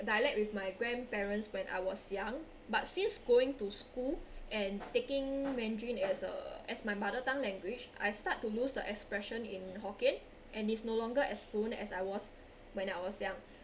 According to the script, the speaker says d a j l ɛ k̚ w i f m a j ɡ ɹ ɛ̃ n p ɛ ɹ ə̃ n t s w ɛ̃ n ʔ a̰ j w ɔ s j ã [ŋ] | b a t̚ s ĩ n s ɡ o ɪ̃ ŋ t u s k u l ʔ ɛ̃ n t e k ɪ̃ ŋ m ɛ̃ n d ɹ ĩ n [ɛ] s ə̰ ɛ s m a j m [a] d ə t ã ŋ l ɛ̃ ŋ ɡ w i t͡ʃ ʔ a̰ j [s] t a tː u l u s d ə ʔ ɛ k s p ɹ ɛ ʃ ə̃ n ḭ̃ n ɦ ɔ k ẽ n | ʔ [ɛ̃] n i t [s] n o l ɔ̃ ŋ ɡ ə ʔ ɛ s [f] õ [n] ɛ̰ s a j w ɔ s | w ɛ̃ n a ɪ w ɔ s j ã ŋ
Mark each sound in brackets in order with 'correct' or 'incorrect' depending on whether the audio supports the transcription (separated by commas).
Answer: correct, correct, correct, correct, correct, correct, correct, correct